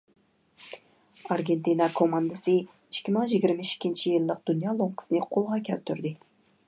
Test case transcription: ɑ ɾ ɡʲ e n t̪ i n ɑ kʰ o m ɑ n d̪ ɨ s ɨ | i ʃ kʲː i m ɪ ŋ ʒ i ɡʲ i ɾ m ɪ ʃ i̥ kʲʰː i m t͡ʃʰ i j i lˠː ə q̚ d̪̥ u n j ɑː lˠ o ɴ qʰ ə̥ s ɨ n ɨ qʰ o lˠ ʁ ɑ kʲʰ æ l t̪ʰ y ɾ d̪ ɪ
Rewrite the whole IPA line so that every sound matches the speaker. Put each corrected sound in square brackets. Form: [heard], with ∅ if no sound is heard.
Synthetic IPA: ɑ ɾ ɡʲ e n t̪ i n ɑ kʰ o m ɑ n d̪ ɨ s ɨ | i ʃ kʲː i m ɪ ŋ ʒ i ɡʲ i ɾ m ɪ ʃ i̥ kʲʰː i [n] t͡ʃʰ i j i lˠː ə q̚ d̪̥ u n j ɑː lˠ o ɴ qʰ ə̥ s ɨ n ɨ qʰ o lˠ ʁ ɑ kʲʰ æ l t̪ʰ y ɾ d̪ ɪ